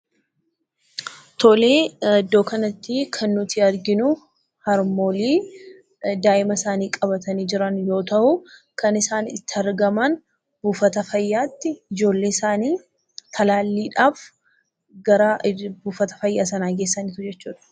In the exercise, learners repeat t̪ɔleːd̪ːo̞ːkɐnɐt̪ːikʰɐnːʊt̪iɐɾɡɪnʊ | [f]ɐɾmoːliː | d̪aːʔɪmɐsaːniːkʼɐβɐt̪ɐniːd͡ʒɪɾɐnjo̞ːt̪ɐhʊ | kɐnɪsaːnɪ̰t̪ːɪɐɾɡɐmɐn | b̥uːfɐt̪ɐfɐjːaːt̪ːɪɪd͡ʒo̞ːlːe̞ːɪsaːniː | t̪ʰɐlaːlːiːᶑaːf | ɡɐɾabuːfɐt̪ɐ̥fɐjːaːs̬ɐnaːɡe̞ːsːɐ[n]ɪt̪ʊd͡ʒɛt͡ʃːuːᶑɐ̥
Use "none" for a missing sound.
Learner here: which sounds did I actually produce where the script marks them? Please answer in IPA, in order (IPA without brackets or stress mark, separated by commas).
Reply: h, n